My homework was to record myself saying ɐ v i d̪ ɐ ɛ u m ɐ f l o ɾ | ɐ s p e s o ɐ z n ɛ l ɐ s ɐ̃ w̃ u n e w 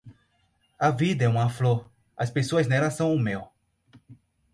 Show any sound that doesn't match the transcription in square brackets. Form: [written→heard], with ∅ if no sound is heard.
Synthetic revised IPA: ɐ v i d̪ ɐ ɛ [u→ũ] m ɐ f l o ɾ | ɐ s p e s o ɐ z n ɛ l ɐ s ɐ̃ w̃ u [n→m] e w